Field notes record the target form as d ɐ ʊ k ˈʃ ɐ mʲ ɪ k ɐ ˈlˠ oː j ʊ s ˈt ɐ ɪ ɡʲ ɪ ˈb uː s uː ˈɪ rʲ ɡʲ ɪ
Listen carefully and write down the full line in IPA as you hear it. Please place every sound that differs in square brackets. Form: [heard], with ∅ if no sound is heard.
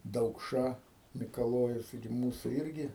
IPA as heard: d ɐ ʊ k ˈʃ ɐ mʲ ɪ k ɐ ˈlˠ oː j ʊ s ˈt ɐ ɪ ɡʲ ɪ [ˈm] uː s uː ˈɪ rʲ ɡʲ ɪ